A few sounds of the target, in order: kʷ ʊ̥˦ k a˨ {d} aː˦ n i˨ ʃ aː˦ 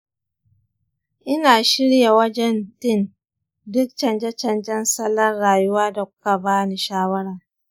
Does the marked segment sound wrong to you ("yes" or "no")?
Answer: yes